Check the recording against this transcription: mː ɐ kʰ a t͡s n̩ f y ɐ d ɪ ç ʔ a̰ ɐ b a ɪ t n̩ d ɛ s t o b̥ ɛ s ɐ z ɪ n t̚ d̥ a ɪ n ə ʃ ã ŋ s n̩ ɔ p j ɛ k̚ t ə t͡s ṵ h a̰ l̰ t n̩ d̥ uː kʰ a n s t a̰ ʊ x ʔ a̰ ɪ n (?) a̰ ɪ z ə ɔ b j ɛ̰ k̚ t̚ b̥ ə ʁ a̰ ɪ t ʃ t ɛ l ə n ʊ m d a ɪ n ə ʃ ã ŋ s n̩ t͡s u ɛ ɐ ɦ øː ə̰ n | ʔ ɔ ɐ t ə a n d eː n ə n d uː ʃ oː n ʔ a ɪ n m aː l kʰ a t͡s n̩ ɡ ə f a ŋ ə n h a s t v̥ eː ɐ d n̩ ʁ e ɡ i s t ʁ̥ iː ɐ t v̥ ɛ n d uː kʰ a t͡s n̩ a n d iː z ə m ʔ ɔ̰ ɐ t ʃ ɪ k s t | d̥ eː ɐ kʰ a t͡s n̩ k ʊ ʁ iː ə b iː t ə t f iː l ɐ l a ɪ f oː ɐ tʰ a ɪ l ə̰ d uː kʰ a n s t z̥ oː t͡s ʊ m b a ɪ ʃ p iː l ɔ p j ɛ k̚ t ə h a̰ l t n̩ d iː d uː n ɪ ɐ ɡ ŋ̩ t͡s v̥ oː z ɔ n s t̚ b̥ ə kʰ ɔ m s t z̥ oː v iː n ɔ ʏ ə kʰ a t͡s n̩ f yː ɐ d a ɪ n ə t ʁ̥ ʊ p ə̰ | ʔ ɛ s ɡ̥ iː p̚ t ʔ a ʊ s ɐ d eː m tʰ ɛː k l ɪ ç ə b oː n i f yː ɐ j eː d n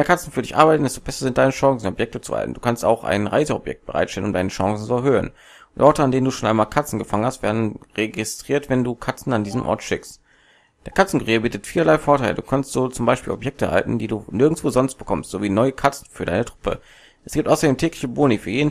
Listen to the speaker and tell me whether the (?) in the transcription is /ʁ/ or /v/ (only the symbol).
ʁ